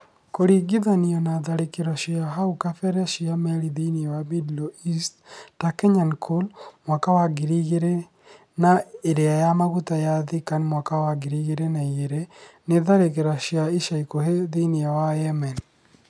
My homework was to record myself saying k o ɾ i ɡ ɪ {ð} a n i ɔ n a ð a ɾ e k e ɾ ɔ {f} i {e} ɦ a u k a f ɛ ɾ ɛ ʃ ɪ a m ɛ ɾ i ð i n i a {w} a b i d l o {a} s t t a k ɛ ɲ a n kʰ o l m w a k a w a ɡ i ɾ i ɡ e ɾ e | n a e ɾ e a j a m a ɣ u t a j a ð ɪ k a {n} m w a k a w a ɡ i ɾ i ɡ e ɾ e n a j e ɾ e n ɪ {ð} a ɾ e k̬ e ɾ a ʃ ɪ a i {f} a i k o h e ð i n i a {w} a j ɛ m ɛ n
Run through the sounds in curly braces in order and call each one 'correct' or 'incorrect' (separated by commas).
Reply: correct, incorrect, incorrect, correct, incorrect, correct, correct, incorrect, correct